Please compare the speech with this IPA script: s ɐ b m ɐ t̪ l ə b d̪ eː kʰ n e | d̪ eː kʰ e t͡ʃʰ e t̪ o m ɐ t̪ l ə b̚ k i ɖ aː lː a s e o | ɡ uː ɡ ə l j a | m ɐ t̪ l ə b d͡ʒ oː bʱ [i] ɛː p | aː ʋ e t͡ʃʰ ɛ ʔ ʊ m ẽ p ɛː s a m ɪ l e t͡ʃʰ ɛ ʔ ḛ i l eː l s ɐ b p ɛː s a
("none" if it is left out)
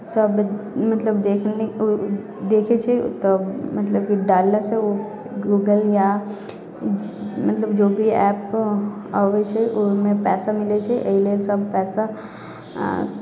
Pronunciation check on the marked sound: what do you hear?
i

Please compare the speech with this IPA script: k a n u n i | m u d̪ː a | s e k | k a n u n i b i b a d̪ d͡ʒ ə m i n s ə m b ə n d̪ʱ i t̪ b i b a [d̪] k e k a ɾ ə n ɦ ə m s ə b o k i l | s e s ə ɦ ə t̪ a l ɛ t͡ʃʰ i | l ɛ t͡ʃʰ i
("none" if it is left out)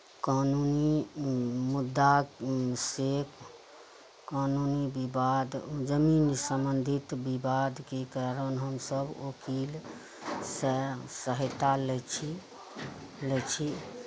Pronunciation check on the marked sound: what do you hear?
d̪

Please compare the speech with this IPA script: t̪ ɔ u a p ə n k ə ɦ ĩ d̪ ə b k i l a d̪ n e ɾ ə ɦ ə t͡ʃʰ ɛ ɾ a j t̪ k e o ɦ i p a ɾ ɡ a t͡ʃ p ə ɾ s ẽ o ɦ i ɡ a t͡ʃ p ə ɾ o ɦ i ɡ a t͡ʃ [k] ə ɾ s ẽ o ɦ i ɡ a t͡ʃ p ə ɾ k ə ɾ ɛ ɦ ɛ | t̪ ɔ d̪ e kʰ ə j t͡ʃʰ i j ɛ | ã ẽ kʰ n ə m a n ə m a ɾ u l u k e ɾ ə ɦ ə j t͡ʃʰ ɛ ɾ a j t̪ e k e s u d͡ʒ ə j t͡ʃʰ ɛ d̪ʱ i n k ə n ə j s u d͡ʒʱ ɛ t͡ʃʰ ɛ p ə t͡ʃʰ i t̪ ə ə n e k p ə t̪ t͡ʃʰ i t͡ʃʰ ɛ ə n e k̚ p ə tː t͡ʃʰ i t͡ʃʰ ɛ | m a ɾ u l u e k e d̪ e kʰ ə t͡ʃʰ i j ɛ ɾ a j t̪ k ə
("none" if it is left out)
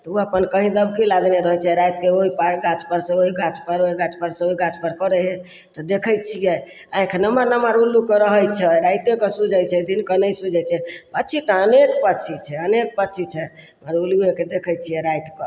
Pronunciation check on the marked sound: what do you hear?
p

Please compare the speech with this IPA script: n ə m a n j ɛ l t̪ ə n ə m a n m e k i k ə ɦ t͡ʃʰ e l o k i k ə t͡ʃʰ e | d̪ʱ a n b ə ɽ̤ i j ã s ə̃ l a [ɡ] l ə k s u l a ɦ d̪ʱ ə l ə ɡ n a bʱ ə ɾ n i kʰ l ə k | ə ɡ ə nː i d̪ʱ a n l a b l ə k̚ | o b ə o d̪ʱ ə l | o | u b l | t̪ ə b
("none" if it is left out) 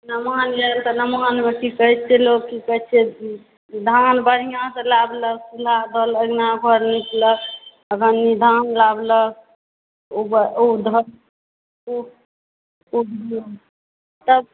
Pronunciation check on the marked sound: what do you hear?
b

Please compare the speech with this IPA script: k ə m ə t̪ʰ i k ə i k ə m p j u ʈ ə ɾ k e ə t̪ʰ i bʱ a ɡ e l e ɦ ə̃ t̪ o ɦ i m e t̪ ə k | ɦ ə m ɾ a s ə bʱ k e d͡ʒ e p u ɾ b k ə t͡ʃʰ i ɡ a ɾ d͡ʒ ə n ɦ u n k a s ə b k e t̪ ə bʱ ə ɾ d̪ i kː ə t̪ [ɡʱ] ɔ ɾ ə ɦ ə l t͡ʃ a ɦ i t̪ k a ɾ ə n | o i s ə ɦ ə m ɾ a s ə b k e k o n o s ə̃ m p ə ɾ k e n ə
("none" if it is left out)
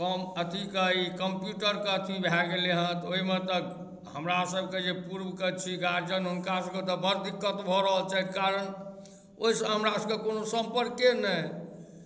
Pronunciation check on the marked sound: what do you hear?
bʱ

